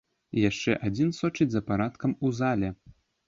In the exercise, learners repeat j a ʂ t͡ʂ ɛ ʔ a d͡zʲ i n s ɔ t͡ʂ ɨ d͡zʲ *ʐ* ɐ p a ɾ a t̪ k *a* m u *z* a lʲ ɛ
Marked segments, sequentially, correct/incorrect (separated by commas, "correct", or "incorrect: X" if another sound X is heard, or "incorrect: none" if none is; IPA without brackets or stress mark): incorrect: z, incorrect: ɐ, correct